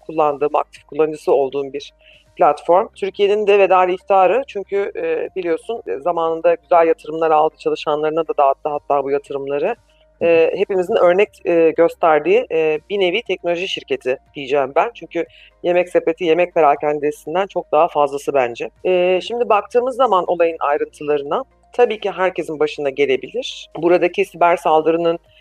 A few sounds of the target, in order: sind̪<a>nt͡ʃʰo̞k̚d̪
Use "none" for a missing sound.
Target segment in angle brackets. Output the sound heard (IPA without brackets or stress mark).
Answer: æ